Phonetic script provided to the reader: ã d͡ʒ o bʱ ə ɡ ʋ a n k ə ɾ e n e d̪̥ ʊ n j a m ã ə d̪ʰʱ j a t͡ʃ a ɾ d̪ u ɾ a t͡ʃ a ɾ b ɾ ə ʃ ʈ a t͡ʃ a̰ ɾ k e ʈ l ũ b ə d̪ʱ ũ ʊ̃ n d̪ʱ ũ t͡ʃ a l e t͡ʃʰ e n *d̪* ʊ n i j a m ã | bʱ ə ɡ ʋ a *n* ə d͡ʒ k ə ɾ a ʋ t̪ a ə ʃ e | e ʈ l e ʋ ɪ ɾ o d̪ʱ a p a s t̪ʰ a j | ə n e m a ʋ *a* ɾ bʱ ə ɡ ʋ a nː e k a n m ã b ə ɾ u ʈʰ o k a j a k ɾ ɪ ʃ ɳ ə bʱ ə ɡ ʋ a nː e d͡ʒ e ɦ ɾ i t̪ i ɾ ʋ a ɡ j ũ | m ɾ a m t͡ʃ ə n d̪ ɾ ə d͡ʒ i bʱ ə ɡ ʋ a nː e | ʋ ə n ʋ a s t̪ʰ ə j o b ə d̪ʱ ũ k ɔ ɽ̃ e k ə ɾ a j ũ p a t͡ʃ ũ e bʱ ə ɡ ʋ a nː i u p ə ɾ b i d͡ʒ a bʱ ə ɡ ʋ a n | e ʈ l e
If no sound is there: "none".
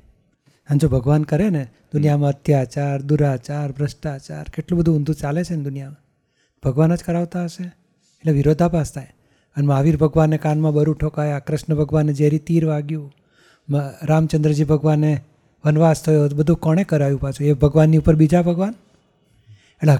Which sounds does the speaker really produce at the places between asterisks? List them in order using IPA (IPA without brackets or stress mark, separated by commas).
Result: d̪, n, i